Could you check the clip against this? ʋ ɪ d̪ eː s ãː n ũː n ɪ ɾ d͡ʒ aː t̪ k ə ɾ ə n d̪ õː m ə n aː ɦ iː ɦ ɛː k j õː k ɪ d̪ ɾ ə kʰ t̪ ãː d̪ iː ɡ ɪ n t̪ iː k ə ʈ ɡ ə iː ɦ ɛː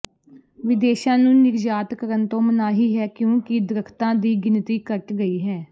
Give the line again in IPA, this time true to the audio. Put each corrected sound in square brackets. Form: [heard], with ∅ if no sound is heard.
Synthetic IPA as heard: ʋ ɪ d̪ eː [ʃ] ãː n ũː n ɪ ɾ d͡ʒ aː t̪ k ə ɾ ə n [t̪] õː m ə n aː ɦ iː ɦ ɛː k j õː k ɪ d̪ ɾ ə kʰ t̪ ãː d̪ iː ɡ ɪ n t̪ iː k ə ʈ ɡ ə iː ɦ ɛː

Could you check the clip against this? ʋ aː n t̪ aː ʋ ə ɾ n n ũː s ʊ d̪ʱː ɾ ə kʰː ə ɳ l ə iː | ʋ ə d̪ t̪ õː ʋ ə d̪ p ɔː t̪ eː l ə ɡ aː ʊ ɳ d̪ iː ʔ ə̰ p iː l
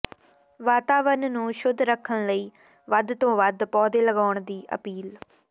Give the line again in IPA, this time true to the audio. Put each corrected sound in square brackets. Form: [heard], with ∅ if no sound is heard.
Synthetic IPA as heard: ʋ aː [∅] t̪ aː ʋ ə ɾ n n ũː [ʃ] ʊ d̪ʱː ɾ ə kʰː ə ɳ l ə iː | ʋ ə d̪ t̪ õː ʋ ə d̪ p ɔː [d̪] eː l ə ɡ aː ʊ ɳ d̪ iː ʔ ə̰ p iː l

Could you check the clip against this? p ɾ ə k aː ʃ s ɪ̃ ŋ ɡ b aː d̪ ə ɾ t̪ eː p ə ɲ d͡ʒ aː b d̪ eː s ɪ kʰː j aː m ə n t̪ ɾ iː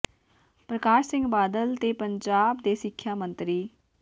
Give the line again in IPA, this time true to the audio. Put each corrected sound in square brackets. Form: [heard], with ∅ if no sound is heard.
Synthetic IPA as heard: p ɾ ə k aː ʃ s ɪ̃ ŋ ɡ b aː d̪ ə [l] t̪ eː p ə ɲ d͡ʒ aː b d̪ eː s ɪ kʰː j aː m ə n t̪ ɾ iː

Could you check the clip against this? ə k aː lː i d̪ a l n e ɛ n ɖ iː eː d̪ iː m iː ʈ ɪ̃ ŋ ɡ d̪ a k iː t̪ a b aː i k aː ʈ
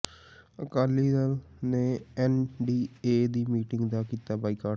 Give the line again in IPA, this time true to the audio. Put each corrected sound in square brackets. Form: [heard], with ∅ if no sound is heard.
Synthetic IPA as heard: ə k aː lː i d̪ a l n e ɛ n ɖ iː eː d̪ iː m iː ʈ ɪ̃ ŋ ɡ d̪ a k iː t̪ a b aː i k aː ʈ

